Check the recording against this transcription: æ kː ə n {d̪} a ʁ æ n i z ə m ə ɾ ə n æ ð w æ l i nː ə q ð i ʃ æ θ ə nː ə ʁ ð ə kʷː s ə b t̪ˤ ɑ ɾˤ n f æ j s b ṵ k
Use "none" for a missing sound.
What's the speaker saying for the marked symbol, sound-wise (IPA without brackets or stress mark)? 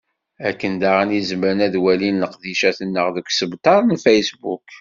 d̪